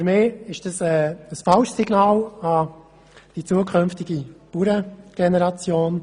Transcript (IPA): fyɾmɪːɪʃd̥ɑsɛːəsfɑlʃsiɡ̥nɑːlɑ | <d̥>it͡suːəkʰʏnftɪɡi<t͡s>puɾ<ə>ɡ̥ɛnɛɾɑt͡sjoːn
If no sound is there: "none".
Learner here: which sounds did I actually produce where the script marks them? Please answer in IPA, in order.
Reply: d̥, none, ə

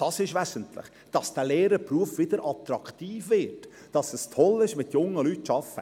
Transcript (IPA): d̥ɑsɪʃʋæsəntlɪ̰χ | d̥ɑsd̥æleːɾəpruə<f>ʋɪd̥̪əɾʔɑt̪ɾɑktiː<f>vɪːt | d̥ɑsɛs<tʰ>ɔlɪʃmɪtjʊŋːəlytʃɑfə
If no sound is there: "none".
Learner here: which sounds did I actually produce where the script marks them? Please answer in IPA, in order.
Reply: f, f, tʰ

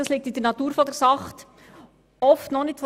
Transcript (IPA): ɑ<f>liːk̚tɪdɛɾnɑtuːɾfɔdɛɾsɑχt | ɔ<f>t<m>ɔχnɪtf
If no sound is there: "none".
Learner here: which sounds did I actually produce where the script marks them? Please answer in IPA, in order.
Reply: s, f, n

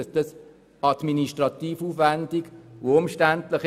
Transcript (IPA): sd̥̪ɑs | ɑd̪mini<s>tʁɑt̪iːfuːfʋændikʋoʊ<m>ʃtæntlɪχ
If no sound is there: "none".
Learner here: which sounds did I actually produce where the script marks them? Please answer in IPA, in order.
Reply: ʃ, m

